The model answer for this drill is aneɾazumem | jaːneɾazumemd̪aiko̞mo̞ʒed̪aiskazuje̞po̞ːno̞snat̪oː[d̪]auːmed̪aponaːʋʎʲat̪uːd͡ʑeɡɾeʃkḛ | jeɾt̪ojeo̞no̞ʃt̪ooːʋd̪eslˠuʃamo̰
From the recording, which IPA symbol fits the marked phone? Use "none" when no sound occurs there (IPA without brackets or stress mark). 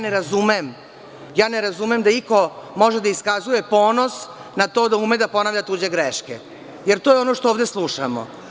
d̪